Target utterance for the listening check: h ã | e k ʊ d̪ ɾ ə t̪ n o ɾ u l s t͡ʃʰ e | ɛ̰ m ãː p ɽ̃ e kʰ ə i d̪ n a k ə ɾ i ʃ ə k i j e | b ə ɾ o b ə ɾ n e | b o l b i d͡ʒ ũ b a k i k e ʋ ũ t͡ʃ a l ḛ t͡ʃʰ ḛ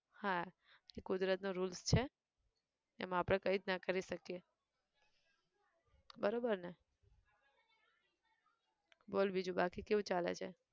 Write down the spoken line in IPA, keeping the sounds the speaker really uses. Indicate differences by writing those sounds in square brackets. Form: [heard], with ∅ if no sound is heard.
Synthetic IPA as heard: h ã | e k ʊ d̪ ɾ ə t̪ n o ɾ u l s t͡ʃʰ e | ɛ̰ m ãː p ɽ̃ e [k] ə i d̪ n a k ə ɾ i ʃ ə k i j e | b ə ɾ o b ə ɾ n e | b o l b i d͡ʒ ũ b a k i k e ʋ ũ t͡ʃ a l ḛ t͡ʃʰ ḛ